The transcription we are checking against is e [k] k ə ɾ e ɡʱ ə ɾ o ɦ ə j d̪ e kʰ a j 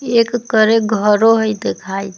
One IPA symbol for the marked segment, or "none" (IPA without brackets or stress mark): k